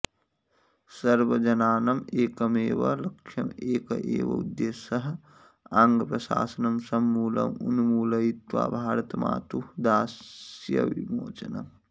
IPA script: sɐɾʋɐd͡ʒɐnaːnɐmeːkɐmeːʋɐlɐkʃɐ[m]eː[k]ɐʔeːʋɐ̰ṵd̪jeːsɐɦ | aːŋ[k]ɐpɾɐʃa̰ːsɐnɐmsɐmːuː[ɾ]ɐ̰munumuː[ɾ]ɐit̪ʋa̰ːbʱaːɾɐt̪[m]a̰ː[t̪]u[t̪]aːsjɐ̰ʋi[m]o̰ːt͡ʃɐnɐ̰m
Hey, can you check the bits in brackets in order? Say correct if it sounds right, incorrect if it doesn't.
correct, correct, incorrect, incorrect, incorrect, correct, correct, incorrect, correct

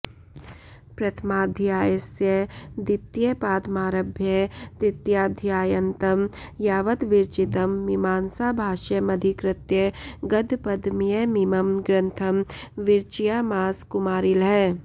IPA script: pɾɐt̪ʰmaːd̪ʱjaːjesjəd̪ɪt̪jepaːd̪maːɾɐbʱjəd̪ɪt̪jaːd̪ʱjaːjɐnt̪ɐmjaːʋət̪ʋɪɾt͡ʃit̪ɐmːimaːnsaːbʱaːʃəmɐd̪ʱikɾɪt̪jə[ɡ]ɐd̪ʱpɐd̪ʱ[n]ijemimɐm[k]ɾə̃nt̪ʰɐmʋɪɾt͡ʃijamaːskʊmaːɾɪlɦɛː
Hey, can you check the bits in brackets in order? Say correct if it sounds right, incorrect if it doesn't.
correct, incorrect, incorrect

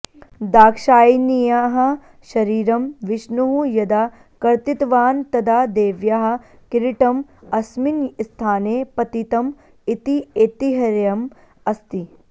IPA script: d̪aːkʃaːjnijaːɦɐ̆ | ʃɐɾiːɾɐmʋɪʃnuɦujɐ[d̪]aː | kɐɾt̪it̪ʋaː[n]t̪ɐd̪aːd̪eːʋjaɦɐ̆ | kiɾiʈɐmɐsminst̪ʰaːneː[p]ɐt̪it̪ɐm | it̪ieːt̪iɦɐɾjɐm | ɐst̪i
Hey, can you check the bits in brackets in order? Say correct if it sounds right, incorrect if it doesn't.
correct, correct, correct

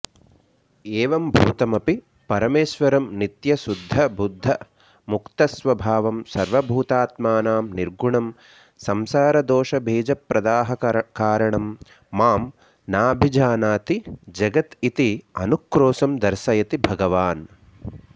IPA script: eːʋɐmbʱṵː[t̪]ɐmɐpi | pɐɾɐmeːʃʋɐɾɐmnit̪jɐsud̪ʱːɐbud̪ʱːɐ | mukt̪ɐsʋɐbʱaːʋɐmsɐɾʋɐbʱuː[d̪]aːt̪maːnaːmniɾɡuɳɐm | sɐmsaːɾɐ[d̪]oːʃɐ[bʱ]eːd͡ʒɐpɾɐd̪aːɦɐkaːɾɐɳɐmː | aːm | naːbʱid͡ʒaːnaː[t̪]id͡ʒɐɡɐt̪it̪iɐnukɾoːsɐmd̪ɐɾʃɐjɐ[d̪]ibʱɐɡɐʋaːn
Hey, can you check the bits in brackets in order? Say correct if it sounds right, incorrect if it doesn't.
correct, incorrect, correct, correct, correct, incorrect

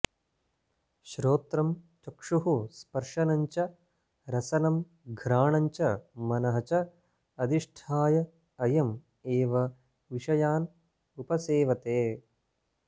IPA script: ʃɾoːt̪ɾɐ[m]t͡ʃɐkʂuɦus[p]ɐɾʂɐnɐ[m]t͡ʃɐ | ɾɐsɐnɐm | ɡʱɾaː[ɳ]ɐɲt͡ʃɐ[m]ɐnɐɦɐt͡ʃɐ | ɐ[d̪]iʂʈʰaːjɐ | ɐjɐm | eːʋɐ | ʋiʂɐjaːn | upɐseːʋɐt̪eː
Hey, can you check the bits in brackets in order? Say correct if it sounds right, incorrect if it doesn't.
correct, correct, incorrect, correct, correct, correct

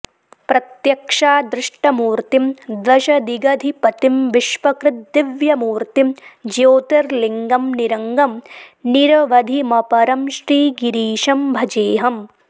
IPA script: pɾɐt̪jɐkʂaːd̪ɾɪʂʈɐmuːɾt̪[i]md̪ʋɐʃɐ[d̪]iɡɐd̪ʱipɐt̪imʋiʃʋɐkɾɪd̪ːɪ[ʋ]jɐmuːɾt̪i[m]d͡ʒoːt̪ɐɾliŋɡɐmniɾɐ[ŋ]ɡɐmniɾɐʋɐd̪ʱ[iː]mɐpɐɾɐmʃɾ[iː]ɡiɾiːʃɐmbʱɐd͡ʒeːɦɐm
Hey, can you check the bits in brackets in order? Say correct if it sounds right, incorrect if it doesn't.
correct, correct, correct, correct, correct, incorrect, correct

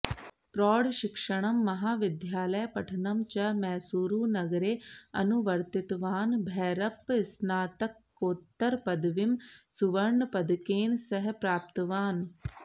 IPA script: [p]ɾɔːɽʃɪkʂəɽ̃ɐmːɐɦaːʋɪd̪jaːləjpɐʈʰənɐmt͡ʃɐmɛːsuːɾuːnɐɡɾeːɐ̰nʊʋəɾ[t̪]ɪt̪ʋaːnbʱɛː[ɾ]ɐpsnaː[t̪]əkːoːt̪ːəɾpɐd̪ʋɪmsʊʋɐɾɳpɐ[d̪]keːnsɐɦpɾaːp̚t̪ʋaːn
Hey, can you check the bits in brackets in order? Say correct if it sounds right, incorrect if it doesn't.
correct, correct, correct, correct, correct

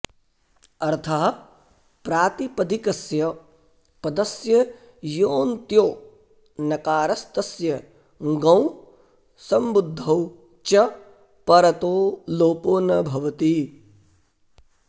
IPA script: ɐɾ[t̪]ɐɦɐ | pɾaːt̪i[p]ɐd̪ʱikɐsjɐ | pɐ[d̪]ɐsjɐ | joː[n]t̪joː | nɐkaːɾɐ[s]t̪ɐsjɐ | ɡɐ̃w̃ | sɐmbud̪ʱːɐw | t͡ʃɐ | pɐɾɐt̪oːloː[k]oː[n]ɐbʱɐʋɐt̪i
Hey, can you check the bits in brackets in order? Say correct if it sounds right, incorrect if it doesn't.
incorrect, correct, correct, correct, correct, incorrect, correct

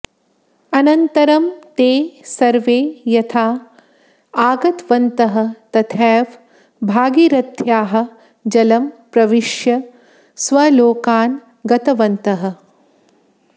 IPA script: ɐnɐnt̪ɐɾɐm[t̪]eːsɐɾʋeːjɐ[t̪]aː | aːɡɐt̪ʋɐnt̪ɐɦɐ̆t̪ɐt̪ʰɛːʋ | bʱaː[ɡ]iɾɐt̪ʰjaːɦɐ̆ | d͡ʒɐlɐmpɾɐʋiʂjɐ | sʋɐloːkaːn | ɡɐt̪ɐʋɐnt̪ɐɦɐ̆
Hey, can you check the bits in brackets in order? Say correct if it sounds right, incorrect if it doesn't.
correct, incorrect, correct

